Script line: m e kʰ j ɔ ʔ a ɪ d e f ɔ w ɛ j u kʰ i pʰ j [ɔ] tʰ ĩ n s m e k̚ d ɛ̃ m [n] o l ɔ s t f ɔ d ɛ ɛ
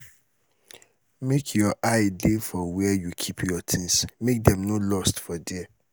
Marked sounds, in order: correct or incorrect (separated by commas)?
correct, correct